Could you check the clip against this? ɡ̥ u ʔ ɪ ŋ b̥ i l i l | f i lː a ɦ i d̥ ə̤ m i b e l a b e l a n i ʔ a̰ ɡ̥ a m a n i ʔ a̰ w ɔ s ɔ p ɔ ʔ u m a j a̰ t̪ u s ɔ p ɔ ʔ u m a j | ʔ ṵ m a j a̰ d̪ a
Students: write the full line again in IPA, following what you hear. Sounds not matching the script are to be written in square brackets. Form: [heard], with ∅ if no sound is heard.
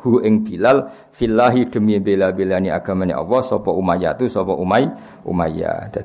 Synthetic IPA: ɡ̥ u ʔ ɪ ŋ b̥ i l [a] l | f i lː a ɦ i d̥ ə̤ m i b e l a b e l a n i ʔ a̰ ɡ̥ a m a n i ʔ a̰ w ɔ s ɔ p ɔ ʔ u m a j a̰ t̪ u s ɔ p ɔ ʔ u m a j | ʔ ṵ m a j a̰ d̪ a